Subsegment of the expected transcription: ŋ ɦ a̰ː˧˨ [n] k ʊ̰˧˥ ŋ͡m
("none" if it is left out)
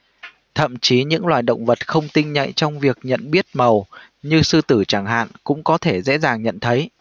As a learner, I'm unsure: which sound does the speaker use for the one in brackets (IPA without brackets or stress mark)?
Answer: n